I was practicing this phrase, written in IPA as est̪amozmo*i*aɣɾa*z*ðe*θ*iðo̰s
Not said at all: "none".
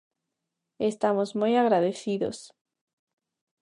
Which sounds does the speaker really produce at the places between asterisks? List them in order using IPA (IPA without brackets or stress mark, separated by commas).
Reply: j, none, θ